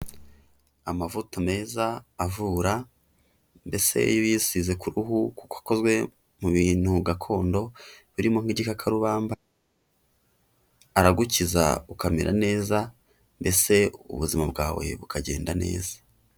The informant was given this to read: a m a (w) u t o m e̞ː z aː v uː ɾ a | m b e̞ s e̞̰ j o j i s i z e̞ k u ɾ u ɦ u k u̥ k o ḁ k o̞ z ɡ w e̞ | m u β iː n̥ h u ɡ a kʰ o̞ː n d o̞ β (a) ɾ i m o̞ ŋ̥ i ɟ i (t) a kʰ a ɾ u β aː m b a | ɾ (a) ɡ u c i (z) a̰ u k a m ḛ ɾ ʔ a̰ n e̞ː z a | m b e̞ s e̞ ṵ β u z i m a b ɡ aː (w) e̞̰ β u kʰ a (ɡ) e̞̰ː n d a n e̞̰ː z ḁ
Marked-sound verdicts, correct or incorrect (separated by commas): incorrect, incorrect, incorrect, correct, correct, correct, incorrect